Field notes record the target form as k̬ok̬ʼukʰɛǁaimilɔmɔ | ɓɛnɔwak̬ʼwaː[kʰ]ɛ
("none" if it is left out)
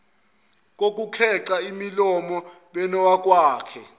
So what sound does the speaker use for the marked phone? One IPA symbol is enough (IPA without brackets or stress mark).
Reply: kʰ